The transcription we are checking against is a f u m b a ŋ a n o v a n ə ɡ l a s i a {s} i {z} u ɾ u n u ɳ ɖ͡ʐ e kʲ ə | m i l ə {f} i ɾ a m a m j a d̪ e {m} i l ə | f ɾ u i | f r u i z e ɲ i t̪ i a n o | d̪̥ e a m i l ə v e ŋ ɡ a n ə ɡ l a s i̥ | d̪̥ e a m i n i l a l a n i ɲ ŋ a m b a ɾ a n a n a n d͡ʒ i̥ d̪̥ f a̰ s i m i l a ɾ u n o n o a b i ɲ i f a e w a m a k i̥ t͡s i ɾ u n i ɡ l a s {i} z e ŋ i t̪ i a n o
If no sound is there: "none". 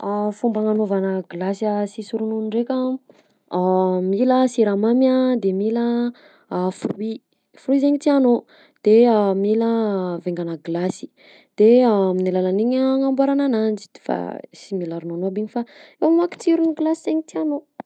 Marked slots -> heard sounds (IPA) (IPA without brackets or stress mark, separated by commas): s, s, s, m, i